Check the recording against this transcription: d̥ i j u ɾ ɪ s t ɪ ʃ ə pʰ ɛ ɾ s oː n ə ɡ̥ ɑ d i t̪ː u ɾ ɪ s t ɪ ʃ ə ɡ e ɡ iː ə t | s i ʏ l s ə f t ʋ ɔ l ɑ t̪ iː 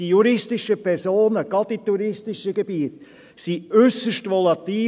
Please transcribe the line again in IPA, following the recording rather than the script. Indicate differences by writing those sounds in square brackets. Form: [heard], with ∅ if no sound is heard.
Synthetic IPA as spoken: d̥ i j u ɾ ɪ s t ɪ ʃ ə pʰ ɛ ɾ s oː n ə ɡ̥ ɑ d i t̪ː u ɾ ɪ s t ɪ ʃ ə ɡ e [b] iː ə t | s i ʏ [∅] s ə [ʃ] t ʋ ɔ l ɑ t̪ iː